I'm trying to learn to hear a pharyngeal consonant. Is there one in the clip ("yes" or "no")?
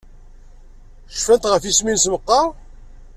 no